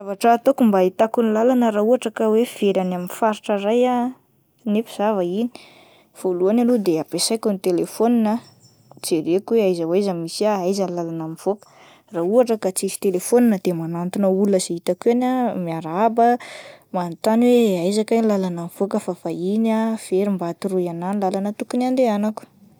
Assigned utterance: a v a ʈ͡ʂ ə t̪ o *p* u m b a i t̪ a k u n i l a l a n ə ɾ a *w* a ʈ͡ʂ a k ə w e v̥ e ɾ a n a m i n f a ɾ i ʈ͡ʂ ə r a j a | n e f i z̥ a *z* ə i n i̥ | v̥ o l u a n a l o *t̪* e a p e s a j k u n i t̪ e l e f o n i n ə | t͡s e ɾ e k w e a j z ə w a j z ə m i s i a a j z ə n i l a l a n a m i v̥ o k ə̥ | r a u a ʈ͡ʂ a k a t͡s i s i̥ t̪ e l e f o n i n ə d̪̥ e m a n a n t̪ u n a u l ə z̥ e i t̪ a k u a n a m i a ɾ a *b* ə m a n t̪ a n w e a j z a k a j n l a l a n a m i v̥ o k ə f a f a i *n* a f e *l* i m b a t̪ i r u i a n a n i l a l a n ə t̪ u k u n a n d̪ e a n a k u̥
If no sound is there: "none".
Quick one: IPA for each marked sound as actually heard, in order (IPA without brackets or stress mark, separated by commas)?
k, u, v, d̪, b, n, ɾ